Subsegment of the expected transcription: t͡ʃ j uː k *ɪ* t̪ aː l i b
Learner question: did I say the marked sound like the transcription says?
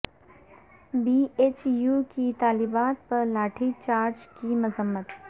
no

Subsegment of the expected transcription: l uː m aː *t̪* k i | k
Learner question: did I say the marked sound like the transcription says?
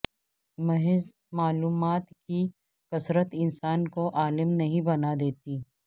yes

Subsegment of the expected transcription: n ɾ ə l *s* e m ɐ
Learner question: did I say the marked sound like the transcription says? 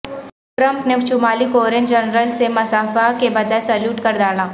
yes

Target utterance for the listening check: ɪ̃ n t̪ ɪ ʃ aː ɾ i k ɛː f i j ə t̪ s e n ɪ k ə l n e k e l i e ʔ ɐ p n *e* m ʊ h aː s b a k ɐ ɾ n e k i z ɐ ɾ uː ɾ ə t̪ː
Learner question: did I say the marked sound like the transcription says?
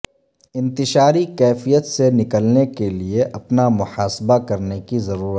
no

